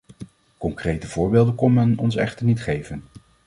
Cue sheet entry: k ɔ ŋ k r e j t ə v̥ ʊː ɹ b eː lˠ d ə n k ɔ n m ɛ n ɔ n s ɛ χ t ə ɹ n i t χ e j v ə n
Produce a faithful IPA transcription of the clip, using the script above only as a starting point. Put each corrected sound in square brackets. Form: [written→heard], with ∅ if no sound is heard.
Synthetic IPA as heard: k ɔ ŋ k r e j t ə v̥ ʊː ɹ b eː lˠ d ə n k ɔ n m ɛ n ɔ n s ɛ χ t ə ɹ n i t χ e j v ə n